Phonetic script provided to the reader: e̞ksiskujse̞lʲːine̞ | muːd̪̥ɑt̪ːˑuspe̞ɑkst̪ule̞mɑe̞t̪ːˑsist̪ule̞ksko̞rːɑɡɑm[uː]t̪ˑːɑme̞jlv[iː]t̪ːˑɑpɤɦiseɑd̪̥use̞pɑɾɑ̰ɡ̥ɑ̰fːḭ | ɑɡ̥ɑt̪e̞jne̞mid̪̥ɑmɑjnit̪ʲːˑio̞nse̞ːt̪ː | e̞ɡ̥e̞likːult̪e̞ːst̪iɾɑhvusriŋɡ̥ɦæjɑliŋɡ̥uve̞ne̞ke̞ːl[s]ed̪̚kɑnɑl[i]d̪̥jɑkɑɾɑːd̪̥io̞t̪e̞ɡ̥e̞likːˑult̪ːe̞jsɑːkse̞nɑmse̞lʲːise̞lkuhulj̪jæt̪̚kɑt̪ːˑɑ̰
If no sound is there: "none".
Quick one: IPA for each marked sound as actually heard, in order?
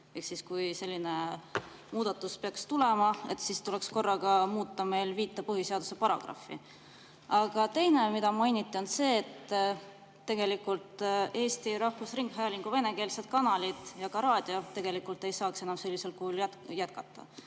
uː, iː, s, i

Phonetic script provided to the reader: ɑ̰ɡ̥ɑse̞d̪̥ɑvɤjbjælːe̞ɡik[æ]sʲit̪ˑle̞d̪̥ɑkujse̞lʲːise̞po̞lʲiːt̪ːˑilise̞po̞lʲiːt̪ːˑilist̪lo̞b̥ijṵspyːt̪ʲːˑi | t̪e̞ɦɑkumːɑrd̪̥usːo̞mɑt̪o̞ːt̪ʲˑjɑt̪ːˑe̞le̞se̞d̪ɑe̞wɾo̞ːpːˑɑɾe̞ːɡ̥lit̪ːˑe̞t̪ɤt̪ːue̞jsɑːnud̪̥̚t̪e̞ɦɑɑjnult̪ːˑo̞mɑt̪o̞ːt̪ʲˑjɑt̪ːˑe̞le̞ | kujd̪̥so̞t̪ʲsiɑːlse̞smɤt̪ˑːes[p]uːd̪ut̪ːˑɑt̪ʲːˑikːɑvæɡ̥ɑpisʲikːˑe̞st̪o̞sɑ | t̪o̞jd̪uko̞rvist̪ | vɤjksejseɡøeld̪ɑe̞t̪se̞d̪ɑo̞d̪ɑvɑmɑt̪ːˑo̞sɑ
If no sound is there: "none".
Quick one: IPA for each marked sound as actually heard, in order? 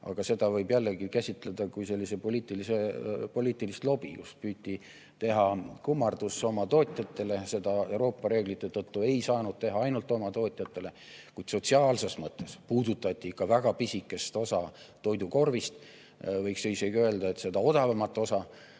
æ, p

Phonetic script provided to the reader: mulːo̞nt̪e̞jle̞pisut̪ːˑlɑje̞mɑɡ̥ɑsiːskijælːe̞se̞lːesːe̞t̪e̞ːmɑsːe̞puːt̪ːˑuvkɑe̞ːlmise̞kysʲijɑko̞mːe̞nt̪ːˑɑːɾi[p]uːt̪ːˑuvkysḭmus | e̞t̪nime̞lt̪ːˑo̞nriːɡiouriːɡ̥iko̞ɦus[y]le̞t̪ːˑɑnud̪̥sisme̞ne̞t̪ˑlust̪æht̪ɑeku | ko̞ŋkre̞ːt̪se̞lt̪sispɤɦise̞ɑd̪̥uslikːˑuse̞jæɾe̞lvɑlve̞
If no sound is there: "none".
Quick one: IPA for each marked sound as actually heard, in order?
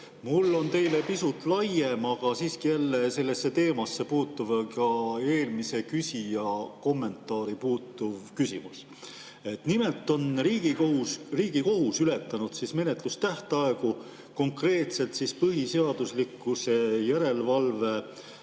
p, y

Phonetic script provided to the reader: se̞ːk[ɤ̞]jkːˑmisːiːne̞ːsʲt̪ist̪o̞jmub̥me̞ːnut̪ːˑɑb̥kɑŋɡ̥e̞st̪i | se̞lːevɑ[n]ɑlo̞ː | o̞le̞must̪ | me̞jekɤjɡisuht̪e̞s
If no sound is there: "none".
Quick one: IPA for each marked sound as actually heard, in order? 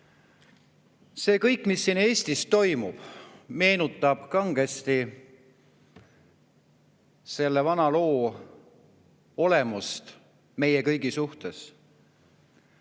ɤ̞, n

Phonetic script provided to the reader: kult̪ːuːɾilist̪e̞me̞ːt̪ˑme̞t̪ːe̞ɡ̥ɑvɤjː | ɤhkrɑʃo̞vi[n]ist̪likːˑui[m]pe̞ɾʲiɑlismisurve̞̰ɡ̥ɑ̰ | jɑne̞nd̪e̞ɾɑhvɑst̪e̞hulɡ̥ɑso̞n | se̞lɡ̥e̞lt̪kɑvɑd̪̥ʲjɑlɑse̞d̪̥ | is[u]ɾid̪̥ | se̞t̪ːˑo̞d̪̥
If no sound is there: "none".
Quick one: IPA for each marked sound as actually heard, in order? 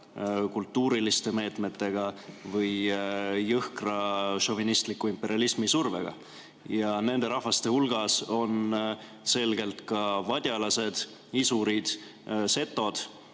n, m, u

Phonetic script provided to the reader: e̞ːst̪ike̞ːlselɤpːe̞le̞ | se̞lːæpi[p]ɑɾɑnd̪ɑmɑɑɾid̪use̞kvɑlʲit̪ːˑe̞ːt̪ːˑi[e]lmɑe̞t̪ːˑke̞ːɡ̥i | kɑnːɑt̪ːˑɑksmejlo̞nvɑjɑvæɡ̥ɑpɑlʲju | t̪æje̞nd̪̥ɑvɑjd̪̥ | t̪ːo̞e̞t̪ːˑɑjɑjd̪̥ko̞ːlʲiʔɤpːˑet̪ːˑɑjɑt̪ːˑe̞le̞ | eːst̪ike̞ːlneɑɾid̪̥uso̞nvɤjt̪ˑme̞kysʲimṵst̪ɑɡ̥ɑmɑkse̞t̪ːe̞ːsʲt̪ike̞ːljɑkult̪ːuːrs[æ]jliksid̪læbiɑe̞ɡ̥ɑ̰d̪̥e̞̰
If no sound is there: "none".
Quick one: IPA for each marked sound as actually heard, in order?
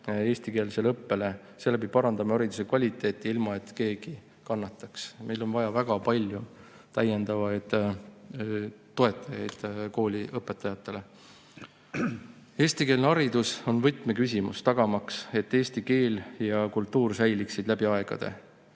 p, i, æ

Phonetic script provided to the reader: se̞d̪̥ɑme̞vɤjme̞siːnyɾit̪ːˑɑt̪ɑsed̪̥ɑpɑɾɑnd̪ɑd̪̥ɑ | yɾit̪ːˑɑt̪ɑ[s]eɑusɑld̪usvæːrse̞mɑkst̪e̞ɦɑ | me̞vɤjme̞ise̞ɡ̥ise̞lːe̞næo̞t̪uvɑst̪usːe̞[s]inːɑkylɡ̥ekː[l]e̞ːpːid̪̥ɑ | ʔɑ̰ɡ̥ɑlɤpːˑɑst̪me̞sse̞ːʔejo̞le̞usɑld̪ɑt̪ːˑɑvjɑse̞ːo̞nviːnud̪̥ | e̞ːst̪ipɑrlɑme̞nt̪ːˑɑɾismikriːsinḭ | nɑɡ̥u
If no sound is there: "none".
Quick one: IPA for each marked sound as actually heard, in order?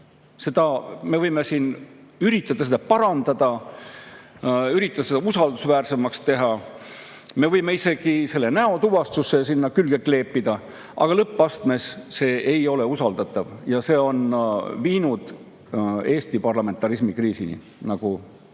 s, s, l

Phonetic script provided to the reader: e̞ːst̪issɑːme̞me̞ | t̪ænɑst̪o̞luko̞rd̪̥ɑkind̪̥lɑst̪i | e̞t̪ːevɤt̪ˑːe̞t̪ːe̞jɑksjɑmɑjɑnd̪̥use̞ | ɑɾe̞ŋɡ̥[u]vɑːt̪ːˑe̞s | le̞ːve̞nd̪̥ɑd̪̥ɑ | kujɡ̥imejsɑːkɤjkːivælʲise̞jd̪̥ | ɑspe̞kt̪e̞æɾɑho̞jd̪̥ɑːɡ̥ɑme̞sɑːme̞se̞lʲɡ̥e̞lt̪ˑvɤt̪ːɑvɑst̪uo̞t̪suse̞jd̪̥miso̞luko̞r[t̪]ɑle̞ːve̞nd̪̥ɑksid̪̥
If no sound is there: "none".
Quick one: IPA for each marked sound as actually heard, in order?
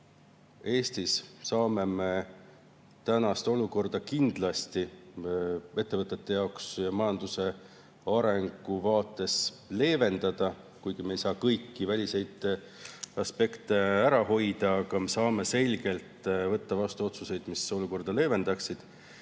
u, d̪

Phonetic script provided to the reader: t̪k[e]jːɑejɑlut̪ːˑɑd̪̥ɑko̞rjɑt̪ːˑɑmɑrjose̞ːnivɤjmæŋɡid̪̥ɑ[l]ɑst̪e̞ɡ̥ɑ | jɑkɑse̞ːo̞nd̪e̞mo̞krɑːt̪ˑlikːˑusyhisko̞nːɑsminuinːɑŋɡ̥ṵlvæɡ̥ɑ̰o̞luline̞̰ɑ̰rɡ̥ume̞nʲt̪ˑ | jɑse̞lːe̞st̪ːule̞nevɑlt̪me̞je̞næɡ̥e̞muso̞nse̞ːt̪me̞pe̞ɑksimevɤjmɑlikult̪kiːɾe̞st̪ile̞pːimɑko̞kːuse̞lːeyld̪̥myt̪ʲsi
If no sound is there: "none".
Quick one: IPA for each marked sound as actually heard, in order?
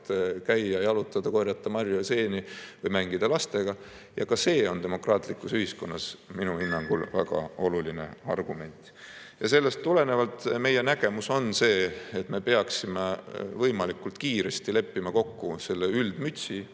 æ, l

